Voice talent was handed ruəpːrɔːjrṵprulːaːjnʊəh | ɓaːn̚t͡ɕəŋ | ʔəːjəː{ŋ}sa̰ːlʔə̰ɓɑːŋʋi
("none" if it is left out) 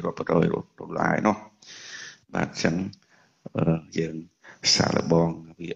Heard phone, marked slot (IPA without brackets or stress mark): ŋ